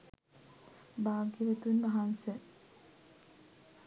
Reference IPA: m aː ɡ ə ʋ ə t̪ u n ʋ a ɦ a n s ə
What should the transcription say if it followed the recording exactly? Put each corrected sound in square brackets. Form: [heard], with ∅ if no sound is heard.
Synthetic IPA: [b] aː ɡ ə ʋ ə t̪ u n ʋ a ɦ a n s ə